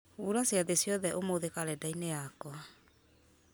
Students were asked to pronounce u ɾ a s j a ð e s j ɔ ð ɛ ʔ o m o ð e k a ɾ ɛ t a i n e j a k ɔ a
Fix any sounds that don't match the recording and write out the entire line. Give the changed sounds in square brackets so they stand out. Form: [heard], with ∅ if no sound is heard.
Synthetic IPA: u ɾ a s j a ð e s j ɔ ð ɛ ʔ o m o ð e k a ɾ ɛ [d] a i n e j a k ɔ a